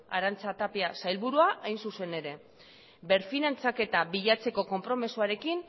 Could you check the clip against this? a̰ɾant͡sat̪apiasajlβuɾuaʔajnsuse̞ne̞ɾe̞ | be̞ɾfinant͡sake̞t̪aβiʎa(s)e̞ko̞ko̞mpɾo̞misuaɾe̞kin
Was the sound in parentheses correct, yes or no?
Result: no